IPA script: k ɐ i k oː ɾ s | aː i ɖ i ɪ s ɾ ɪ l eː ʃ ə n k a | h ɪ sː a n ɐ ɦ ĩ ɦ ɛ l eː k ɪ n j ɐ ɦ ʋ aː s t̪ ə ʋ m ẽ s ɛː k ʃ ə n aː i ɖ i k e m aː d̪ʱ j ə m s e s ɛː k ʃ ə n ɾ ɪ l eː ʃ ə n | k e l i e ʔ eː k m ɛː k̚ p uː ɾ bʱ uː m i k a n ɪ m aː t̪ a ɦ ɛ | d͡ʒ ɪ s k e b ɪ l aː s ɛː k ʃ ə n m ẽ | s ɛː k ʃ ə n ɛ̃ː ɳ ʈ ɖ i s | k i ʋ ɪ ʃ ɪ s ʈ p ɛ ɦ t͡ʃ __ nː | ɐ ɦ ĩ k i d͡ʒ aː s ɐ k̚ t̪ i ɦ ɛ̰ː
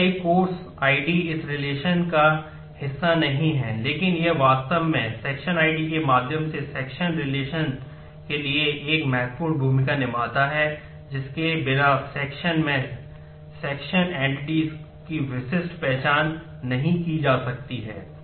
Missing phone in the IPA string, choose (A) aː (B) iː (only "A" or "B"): A